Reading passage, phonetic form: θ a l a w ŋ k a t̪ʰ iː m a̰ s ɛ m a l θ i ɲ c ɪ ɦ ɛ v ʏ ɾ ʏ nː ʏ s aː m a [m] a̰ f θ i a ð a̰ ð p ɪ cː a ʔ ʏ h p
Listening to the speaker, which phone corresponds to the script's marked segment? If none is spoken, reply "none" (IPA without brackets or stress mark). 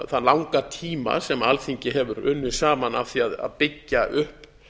n